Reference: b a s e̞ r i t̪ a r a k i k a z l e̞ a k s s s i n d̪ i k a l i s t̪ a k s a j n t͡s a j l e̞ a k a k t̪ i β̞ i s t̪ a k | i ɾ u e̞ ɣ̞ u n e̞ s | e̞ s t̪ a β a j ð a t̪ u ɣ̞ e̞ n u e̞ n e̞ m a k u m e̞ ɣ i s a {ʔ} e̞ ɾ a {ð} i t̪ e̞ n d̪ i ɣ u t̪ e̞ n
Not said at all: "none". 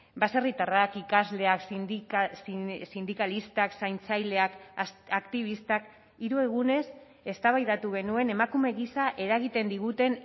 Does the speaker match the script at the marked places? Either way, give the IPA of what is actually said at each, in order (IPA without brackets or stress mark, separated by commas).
ʔ, ɣ